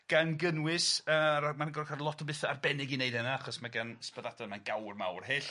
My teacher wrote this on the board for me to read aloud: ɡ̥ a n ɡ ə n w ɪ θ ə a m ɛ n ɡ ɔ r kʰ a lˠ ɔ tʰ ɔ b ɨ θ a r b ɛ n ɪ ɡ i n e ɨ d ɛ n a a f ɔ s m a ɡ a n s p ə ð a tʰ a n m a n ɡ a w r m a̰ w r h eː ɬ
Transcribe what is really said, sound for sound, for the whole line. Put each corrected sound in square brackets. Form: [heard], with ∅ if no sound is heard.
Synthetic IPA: ɡ̥ a n ɡ ə n w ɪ [s] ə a m [a] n ɡ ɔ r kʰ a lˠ ɔ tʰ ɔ b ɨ θ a r b ɛ n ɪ ɡ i n e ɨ d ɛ n a a [χ] ɔ s m a ɡ a n s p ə ð a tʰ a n m a n ɡ a w r m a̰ w r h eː ɬ